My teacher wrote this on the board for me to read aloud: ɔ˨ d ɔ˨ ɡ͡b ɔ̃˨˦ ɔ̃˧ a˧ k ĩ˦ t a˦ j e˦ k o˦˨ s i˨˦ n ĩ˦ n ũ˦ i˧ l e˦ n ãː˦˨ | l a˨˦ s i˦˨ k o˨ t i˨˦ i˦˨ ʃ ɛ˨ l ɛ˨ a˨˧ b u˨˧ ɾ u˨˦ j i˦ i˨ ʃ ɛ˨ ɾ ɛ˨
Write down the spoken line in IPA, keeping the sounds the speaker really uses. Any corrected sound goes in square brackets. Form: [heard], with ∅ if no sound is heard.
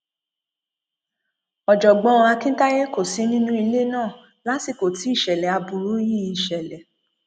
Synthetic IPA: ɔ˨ [d͡ʒ] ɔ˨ ɡ͡b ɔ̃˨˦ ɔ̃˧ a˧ k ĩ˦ t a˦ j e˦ k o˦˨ s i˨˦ n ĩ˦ n ũ˦ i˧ l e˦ n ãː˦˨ | l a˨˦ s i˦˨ k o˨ t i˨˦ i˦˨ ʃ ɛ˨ l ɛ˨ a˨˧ b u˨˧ ɾ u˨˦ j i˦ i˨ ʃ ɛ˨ [l] ɛ˨